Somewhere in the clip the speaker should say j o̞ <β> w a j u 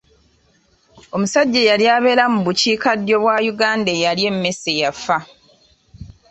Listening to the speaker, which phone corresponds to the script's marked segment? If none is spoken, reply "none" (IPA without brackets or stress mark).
β